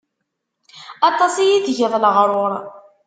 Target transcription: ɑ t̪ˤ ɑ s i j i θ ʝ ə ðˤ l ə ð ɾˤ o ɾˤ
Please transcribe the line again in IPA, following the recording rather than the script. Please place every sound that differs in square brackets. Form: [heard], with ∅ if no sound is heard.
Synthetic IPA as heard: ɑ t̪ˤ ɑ s i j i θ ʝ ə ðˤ l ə [ʁ] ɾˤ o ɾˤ